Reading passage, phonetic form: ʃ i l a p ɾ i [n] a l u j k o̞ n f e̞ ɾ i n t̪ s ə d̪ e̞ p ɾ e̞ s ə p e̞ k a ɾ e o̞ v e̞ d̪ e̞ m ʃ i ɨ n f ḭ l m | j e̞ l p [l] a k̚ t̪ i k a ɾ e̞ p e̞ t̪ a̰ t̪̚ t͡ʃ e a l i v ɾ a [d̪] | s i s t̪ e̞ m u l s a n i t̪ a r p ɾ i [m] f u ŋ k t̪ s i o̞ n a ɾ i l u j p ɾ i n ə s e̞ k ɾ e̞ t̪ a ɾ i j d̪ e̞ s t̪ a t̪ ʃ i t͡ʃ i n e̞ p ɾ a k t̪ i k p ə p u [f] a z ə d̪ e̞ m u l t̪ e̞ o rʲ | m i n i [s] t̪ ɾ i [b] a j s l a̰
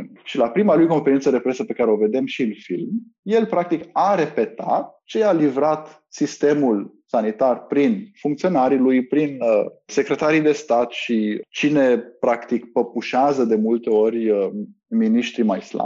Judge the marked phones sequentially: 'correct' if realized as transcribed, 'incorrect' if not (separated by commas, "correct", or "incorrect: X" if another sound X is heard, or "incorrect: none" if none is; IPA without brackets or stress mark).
incorrect: m, incorrect: ɾ, incorrect: t̪, incorrect: n, incorrect: ʃ, incorrect: ʃ, incorrect: m